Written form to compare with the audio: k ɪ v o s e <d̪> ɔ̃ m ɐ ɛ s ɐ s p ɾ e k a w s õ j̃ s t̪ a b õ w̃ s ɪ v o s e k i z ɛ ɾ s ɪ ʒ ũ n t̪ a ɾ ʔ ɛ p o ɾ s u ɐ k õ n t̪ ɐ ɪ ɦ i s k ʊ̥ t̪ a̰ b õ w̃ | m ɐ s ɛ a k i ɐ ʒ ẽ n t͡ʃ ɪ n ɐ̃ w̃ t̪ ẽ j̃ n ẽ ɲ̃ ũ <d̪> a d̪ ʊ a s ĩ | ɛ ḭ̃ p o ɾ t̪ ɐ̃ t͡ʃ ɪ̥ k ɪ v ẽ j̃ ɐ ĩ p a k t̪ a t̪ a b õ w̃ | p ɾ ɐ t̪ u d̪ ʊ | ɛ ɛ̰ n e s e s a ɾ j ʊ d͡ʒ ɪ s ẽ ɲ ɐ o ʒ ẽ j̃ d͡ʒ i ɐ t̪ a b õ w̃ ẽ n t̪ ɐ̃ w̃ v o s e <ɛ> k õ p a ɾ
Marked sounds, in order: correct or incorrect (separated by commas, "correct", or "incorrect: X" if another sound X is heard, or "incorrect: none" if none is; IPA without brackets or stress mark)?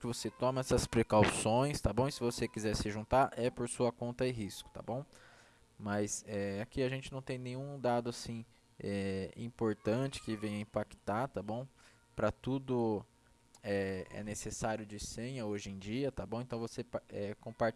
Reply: incorrect: t̪, correct, correct